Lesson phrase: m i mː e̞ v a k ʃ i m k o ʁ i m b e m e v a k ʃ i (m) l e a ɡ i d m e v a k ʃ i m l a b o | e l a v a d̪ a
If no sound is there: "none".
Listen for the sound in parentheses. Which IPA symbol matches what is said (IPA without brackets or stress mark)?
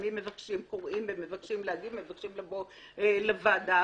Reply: m